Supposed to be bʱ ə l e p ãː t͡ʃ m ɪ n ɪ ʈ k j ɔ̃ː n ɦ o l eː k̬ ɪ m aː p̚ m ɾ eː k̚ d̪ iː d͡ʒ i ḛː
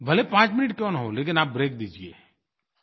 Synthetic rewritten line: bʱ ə l e p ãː t͡ʃ m ɪ n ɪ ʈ k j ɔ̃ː n ɦ o l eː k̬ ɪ n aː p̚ b ɾ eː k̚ d̪ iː d͡ʒ i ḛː